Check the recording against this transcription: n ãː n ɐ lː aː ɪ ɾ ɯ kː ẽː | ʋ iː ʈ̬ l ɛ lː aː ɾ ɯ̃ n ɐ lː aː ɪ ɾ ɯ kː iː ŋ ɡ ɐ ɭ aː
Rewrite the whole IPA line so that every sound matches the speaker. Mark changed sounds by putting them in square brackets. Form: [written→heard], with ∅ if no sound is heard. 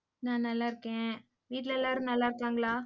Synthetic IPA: n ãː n ɐ lː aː ɪ ɾ ɯ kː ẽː | ʋ iː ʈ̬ l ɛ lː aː ɾ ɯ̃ n ɐ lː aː ɪ ɾ ɯ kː [iː→aː] ŋ ɡ ɐ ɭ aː

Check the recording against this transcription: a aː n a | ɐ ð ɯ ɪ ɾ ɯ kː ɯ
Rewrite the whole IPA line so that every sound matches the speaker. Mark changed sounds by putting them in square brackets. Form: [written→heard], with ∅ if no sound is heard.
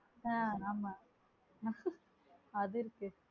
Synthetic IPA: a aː [n→m] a | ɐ ð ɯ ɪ ɾ ɯ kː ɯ

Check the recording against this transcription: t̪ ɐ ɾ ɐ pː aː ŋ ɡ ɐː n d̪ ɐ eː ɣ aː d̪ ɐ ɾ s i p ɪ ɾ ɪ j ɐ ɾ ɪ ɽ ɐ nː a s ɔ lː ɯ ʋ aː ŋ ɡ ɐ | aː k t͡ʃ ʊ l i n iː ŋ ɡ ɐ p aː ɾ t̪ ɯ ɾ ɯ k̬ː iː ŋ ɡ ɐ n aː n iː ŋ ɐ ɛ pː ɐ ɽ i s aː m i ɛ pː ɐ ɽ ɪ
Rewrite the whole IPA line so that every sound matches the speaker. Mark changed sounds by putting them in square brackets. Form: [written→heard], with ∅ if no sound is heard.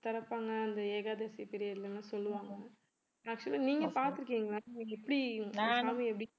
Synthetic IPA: t̪ ɐ ɾ ɐ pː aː ŋ ɡ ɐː n d̪ ɐ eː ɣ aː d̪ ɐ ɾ s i p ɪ ɾ ɪ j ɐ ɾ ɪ [ɽ→l] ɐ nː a s ɔ lː ɯ ʋ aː ŋ ɡ ɐ | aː k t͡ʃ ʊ l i n iː ŋ ɡ ɐ p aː ɾ t̪ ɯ ɾ ɯ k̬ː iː ŋ ɡ ɐ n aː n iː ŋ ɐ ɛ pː ɐ ɽ i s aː m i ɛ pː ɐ ɽ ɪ

